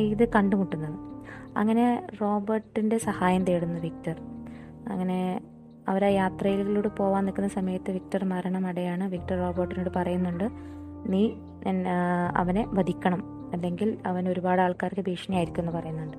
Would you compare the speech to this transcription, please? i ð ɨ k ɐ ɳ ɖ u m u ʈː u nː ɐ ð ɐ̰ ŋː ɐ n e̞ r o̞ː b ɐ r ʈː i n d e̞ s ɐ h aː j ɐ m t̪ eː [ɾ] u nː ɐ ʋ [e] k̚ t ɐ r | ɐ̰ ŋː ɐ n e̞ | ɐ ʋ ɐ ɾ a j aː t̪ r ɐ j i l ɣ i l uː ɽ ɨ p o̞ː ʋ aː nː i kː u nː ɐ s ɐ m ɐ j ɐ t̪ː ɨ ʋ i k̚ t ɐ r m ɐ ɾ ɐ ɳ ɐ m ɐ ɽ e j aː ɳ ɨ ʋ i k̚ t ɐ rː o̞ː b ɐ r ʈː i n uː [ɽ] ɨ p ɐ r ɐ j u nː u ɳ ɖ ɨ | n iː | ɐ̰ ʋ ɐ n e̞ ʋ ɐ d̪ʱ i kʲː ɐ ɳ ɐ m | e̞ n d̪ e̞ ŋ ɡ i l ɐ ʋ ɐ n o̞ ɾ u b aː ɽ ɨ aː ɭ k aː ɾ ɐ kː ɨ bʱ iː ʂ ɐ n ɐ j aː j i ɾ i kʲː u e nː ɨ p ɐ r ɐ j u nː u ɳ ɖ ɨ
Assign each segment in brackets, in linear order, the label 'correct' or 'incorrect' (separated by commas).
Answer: incorrect, incorrect, correct